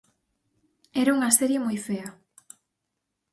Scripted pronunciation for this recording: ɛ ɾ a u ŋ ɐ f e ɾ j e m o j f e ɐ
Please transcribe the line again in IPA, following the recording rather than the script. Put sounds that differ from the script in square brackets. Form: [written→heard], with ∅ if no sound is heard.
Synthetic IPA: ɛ ɾ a u ŋ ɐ [f→s] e ɾ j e m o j f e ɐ